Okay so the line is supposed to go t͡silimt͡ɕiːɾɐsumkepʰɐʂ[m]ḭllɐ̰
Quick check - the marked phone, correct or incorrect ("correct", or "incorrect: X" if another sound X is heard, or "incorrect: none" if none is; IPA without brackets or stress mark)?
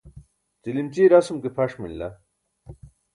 correct